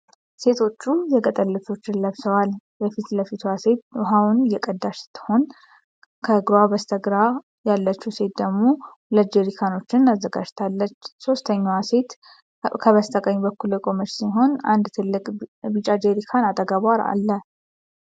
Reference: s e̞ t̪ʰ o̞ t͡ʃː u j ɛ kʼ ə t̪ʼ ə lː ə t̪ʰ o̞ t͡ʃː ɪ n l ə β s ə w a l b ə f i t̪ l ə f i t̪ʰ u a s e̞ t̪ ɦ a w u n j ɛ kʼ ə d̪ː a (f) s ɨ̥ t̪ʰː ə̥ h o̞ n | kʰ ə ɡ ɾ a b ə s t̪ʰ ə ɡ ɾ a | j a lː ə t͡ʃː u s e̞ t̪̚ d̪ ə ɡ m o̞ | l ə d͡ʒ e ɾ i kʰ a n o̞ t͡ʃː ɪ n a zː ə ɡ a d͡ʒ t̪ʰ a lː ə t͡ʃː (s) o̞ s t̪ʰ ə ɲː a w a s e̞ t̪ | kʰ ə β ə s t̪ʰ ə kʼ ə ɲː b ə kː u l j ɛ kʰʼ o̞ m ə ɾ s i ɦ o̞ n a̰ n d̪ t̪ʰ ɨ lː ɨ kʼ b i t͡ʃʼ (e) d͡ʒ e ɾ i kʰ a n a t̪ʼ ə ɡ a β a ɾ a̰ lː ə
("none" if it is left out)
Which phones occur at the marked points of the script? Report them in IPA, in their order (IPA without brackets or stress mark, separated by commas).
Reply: ʃ, s, a